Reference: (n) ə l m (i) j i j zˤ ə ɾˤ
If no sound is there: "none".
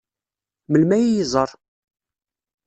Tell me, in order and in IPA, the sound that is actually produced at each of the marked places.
m, æ

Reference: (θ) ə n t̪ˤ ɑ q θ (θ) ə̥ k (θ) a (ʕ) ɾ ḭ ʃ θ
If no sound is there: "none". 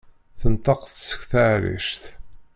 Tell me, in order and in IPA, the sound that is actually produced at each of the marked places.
θ, s, θ, ʕ

